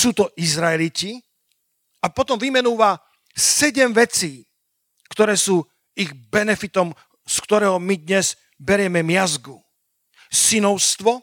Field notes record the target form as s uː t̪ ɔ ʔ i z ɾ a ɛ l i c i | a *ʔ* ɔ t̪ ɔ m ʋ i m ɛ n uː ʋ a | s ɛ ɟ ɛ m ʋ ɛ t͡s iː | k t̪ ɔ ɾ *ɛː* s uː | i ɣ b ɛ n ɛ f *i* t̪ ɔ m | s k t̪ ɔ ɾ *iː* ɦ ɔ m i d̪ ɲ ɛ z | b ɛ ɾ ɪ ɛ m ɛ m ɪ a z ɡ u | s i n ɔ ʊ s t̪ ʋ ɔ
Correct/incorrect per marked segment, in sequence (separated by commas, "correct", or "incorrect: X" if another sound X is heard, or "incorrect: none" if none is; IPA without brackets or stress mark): incorrect: p, correct, correct, incorrect: ɛː